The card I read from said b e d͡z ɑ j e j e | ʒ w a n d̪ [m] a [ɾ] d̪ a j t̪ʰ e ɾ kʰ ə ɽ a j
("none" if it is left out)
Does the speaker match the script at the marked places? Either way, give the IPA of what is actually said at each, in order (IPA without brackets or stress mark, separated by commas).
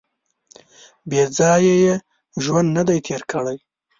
n, none